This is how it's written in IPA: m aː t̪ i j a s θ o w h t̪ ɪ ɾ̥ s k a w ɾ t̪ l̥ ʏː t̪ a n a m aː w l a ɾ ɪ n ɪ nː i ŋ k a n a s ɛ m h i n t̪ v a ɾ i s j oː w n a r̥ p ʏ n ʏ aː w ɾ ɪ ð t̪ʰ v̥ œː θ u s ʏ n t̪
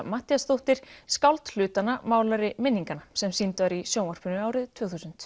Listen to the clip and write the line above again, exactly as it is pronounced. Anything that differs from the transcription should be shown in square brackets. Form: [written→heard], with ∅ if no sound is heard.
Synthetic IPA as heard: m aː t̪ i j a s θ o w h t̪ ɪ ɾ̥ s k a w [ɾ→l] t̪ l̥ ʏː t̪ a n a m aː w l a ɾ ɪ [n→m] ɪ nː i ŋ k a n a s ɛ m [h→s] i n t̪ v a ɾ i s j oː w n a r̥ p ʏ n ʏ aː w ɾ ɪ ð t̪ʰ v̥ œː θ u s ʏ n t̪